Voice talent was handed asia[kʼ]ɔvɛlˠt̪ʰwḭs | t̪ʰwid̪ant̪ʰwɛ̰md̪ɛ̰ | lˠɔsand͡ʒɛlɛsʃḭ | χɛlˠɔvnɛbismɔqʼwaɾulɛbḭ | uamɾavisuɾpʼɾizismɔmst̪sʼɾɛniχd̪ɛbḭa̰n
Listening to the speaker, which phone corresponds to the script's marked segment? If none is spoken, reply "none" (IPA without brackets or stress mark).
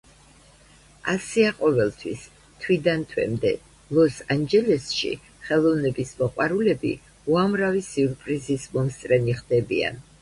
qʼ